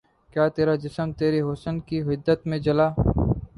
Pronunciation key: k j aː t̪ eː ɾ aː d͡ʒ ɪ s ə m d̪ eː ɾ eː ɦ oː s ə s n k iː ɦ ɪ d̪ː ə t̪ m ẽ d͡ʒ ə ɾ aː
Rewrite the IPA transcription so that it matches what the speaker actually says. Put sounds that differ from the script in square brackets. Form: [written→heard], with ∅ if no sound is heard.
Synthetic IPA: k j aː t̪ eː ɾ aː d͡ʒ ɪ s ə m [d̪→t̪] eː ɾ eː ɦ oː s ə [s→∅] n k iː ɦ ɪ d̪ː ə t̪ m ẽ d͡ʒ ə [ɾ→l] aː